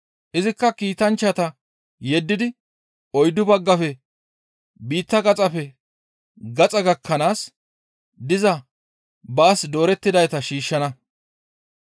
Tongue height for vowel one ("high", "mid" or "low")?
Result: high